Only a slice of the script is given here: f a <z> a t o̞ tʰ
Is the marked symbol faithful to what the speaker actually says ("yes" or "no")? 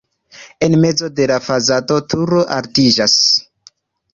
yes